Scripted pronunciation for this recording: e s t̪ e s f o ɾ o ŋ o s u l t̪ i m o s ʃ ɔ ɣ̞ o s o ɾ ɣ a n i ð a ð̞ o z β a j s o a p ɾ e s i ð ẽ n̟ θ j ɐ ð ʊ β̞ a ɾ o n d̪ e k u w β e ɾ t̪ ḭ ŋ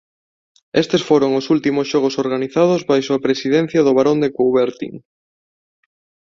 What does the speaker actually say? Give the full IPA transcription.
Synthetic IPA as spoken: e s t̪ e s f o ɾ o ŋ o s u l t̪ i m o s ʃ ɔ ɣ̞ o s o ɾ ɣ a n i θ a ð̞ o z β a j s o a p ɾ e s i ð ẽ n̟ θ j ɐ ð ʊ β̞ a ɾ o n d̪ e k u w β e ɾ t̪ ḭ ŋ